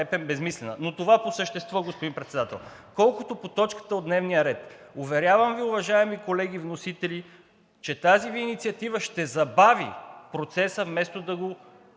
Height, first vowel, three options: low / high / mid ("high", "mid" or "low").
mid